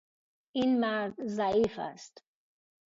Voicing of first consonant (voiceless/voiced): voiced